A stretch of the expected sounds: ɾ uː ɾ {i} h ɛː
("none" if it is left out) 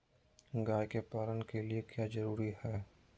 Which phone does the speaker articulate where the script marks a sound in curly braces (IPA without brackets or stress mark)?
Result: i